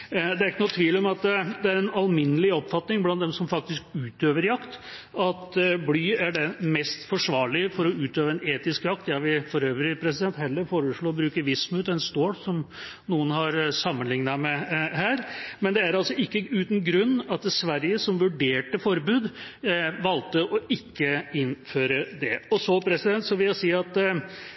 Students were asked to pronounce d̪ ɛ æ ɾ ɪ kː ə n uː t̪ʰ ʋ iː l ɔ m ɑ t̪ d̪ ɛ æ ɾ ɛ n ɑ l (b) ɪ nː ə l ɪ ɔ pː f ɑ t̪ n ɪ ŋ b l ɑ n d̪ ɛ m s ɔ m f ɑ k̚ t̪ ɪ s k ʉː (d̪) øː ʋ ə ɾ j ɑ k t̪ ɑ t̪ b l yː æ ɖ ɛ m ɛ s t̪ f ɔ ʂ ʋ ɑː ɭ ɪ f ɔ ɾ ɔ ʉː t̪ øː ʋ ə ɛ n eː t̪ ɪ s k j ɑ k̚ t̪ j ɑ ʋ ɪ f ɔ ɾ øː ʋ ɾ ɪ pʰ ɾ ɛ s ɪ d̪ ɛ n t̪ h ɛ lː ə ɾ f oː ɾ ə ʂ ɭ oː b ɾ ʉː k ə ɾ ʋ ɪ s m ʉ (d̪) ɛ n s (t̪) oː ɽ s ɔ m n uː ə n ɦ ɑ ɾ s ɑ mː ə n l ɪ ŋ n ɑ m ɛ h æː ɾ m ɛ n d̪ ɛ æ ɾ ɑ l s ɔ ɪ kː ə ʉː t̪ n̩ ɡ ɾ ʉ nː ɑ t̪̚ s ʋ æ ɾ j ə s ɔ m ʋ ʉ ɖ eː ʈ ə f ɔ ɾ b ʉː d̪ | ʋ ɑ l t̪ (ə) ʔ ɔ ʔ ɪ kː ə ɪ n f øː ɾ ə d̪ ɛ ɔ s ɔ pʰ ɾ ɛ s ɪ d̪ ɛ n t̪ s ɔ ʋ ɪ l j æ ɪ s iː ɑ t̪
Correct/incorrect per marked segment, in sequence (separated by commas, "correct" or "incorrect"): incorrect, incorrect, incorrect, correct, correct